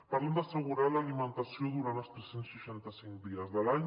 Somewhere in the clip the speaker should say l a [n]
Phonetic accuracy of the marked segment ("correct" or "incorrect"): incorrect